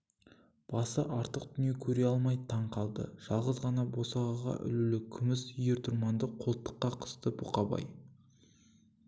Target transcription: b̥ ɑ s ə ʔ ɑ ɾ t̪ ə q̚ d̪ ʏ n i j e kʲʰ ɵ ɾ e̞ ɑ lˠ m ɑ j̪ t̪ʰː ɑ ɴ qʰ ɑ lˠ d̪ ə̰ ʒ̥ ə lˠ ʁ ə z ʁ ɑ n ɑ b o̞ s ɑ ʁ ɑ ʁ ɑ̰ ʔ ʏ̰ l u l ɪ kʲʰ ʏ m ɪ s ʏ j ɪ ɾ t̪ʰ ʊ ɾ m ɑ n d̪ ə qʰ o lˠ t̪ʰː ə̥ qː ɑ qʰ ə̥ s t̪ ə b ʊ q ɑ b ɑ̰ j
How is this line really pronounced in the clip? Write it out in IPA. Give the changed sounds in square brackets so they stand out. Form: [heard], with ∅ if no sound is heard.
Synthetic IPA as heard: b̥ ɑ s ə ʔ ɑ ɾ t̪ ə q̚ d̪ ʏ n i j e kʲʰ ɵ ɾ e̞ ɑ lˠ m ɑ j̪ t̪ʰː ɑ ɴ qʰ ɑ lˠ d̪ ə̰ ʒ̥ [ɑ] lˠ ʁ ə z ʁ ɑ n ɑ b o̞ s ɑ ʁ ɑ ʁ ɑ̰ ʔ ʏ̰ l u l ɪ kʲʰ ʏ m ɪ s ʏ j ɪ ɾ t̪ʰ ʊ ɾ m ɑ n d̪ ə qʰ o lˠ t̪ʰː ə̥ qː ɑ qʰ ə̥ s t̪ ə b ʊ q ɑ b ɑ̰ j